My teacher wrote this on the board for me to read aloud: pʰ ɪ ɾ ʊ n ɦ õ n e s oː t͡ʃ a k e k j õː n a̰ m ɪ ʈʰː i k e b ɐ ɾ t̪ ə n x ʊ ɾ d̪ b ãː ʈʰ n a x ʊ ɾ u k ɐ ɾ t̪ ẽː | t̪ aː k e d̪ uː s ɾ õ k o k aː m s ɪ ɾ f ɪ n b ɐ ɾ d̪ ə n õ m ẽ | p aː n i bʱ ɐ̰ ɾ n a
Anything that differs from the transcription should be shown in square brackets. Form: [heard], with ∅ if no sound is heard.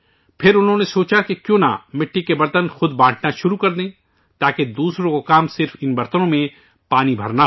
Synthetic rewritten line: pʰ ɪ ɾ ʊ n ɦ õ n e s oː t͡ʃ a k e k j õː n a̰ m ɪ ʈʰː i k e b ɐ ɾ t̪ ə n x ʊ [∅] d̪ b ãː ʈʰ n a [ʃ] ʊ ɾ u k ɐ ɾ [d̪] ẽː | t̪ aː k e d̪ uː s ɾ õ k o k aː m s ɪ ɾ f ɪ n b ɐ ɾ [t̪] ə n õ m ẽ | p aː n i bʱ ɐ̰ ɾ n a